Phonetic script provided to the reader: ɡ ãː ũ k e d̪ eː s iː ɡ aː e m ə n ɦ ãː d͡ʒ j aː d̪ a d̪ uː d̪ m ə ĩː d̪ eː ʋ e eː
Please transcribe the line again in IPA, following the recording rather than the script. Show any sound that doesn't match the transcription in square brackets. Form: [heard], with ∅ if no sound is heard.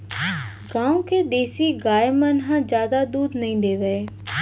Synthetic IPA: ɡ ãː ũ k e d̪ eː s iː ɡ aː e m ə n ɦ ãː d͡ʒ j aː d̪ a d̪ uː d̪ [n] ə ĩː d̪ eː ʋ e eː